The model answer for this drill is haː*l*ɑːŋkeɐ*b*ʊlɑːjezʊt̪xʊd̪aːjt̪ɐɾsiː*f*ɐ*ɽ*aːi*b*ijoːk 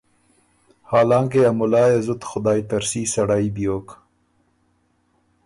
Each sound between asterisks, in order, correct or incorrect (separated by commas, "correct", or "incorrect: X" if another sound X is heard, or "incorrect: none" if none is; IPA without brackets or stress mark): correct, incorrect: m, incorrect: s, correct, correct